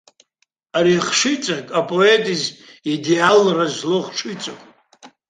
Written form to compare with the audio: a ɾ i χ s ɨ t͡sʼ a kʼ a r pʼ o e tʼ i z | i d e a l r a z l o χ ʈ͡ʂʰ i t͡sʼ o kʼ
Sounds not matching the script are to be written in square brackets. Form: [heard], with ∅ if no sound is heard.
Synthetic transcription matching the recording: a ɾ i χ [ʂ] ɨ t͡sʼ a kʼ a [∅] pʼ o e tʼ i z | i d e a l r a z l o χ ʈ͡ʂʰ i t͡sʼ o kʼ